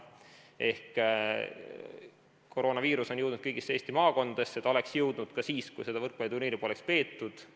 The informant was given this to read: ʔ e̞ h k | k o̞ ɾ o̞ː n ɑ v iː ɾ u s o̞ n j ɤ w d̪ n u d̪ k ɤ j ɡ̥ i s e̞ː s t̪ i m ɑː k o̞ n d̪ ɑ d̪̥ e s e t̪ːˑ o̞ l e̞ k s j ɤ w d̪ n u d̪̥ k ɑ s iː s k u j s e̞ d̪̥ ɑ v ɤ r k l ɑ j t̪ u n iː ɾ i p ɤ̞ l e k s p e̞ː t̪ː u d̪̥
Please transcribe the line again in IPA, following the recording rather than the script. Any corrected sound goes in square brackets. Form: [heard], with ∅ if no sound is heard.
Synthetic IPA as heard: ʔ e̞ h k | k o̞ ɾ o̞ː n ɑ v iː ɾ u s o̞ n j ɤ w d̪ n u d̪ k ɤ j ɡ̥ i s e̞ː s t̪ i m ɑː k o̞ n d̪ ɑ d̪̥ e s e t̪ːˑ o̞ l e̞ k s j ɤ w d̪ n u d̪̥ k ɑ s iː s k u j s e̞ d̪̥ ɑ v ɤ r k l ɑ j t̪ u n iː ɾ i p [o̞] l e k s p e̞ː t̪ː u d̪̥